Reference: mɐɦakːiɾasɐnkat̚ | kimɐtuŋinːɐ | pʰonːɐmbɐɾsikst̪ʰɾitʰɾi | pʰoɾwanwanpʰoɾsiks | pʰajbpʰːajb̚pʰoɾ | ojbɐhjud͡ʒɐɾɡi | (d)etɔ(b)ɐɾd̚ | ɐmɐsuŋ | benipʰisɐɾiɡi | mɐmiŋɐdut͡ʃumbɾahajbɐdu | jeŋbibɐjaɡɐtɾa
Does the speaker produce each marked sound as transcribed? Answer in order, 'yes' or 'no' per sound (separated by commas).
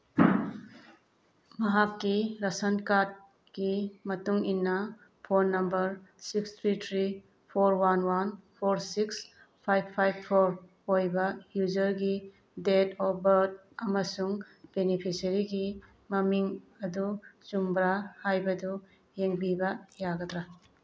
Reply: yes, yes